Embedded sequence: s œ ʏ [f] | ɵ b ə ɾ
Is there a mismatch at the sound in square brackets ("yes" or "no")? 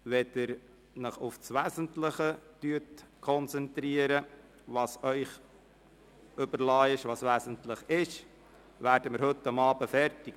yes